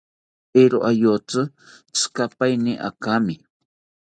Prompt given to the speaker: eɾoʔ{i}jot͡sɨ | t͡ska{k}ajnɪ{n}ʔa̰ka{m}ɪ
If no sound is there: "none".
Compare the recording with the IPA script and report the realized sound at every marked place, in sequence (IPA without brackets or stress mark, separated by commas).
a, p, none, m